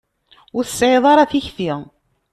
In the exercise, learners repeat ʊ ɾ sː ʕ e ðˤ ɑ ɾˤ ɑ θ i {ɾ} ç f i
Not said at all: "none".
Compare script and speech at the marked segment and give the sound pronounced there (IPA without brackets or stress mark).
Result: none